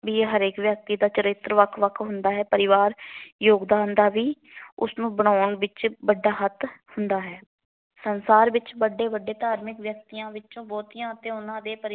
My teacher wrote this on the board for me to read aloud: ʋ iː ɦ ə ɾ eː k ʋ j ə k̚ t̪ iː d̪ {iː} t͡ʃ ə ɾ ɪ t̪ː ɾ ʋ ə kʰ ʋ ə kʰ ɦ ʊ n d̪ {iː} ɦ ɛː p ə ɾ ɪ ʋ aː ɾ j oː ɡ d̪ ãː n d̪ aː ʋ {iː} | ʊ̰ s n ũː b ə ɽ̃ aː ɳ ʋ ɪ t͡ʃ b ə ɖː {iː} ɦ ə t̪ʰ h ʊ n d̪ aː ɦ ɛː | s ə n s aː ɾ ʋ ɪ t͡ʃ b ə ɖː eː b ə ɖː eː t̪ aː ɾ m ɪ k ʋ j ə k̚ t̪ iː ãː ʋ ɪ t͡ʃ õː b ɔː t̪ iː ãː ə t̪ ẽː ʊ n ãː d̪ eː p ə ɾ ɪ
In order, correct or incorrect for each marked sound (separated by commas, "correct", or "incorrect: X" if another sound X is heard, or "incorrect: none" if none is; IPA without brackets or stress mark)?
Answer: incorrect: aː, incorrect: aː, correct, incorrect: aː